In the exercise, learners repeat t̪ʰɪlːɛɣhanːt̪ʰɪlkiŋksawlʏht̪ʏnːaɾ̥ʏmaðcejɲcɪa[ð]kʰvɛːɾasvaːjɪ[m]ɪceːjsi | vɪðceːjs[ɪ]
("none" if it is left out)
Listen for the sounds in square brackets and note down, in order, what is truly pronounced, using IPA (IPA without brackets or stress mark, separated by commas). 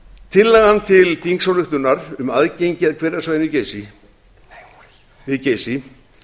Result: ð, n, i